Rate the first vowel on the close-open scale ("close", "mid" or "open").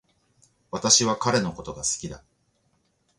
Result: open